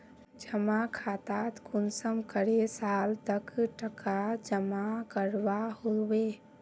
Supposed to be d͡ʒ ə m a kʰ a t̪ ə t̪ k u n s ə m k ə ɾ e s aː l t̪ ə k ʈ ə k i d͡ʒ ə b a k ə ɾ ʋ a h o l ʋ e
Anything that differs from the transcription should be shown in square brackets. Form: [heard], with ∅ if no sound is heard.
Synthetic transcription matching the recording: d͡ʒ ə m a kʰ a t̪ [a] t̪ k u n s ə m k ə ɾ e s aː l t̪ ə k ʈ ə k [a] d͡ʒ ə [m] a k ə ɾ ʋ a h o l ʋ e